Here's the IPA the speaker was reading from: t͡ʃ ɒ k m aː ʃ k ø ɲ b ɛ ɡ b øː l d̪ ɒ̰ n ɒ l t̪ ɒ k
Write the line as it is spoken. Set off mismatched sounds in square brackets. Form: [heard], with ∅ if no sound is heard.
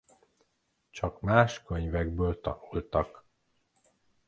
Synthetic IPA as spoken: t͡ʃ ɒ k m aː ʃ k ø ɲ [v] ɛ ɡ b øː l [t̪] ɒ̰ n [u] l t̪ ɒ k